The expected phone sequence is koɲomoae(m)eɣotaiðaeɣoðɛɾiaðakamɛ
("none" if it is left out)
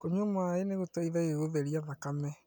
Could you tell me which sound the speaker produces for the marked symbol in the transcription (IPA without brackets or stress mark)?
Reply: n